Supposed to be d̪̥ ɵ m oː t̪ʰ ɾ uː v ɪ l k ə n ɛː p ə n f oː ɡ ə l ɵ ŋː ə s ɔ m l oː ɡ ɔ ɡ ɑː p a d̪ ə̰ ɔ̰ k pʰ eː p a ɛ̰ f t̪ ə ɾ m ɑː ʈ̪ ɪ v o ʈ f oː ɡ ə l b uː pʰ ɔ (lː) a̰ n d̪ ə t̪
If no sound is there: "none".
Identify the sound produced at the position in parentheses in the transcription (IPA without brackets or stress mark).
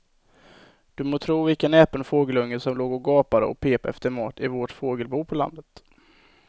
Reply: l